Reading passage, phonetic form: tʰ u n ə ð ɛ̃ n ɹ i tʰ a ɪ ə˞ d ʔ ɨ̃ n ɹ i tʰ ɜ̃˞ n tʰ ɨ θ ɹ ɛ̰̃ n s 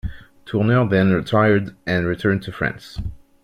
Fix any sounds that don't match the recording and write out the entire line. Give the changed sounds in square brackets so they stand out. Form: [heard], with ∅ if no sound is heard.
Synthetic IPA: tʰ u n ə ð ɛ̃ n ɹ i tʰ a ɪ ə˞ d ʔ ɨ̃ n ɹ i tʰ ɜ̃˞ n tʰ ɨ [f] ɹ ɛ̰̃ n s